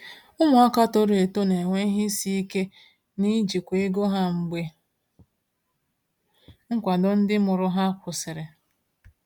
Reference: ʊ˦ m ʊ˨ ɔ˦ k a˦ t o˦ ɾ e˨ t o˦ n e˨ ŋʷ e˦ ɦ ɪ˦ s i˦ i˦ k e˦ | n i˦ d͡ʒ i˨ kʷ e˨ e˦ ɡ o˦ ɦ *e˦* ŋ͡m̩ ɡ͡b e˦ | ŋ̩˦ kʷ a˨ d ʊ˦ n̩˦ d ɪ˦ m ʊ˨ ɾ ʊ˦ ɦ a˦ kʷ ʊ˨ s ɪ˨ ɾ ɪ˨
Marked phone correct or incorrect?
incorrect